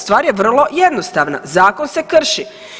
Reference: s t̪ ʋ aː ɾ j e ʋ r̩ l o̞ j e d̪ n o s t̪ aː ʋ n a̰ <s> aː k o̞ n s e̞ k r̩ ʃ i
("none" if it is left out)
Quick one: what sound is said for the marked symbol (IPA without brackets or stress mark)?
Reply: z